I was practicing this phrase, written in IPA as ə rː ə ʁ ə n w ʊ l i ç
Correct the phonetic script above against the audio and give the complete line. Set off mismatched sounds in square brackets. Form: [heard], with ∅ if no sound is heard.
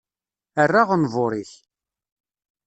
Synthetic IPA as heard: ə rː [a] ʁ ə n [v] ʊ [ɾ] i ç